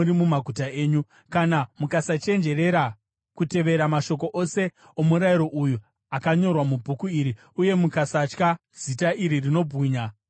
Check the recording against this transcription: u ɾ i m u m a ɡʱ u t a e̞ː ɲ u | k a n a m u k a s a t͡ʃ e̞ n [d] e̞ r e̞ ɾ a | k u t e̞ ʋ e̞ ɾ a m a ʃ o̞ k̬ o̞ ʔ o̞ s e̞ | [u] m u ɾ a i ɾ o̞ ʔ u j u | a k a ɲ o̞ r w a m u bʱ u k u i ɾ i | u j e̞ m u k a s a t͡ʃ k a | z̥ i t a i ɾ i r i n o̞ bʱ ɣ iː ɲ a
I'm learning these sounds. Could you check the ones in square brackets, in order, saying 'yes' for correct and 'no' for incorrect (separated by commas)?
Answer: no, no